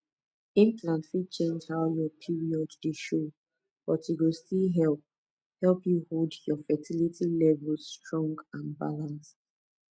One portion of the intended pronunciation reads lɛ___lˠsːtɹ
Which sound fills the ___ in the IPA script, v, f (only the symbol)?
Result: v